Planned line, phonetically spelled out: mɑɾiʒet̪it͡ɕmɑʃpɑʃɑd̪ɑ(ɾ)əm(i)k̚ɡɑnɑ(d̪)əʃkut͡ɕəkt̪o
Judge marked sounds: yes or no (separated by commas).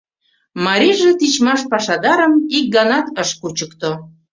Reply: yes, yes, no